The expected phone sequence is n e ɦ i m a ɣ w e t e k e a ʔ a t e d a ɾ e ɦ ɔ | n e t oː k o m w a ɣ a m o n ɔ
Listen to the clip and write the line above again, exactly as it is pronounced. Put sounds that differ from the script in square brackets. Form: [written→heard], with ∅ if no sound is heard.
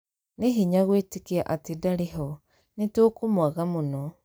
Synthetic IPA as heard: n e ɦ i [m→ɲ] a ɣ w e t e k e a ʔ a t e d a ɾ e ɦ ɔ | n e t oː k o m w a ɣ a m o n ɔ